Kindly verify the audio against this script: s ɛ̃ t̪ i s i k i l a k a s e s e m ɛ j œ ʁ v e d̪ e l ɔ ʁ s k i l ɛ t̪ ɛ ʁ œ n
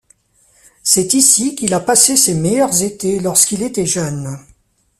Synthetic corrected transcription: s ɛ t̪ i s i k i l a p a s e s e m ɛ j œ ʁ z e t̪ e l ɔ ʁ s k i l e t̪ ɛ ʒ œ n